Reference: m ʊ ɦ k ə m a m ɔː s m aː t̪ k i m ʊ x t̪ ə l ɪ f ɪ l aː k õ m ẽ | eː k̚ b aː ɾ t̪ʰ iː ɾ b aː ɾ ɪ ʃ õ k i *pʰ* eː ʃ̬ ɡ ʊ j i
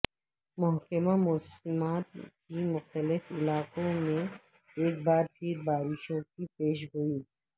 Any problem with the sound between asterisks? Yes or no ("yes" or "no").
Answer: yes